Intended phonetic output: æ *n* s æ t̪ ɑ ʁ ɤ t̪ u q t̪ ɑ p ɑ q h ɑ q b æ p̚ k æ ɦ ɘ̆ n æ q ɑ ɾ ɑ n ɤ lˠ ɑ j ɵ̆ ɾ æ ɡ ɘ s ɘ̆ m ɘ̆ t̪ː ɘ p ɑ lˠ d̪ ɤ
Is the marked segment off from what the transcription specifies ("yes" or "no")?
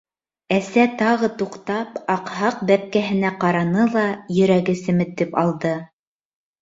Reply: yes